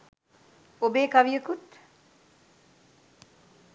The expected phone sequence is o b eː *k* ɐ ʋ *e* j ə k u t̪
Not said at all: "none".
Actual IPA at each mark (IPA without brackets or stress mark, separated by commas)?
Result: k, i